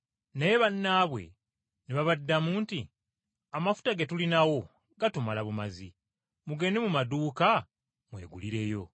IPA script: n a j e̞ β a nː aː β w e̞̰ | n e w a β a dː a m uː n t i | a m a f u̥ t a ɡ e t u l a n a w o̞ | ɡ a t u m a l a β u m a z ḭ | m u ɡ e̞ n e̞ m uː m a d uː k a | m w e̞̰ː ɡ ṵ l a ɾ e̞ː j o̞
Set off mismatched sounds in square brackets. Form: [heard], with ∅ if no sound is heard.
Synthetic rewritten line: n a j e̞ β a nː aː β w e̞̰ | n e [β] a β a dː a m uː n t i | a m a f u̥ t a ɡ e t u l [i] n a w o̞ | ɡ a t u m a l a β u m a z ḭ | m u ɡ e̞ n e̞ m [u] m a d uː k a | m w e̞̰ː ɡ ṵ l [i] ɾ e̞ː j o̞